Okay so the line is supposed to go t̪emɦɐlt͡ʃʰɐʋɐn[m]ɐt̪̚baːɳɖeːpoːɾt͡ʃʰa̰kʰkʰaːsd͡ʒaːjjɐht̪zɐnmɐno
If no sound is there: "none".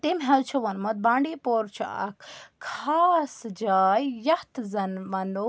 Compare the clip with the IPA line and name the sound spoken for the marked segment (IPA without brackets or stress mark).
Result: m